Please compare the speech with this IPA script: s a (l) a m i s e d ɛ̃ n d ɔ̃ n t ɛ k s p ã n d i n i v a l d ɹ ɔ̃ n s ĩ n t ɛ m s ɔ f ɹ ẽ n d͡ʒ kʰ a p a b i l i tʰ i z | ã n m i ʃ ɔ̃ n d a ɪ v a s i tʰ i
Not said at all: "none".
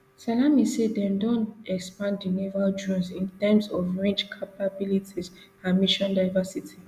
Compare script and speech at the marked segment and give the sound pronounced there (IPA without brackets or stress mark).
l